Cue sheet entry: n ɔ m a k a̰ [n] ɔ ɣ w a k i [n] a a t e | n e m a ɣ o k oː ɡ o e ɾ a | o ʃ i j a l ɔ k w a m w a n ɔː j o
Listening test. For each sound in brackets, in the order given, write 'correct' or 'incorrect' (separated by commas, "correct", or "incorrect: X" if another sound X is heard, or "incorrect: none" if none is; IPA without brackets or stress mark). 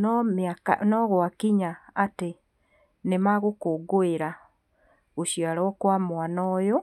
correct, incorrect: ɲ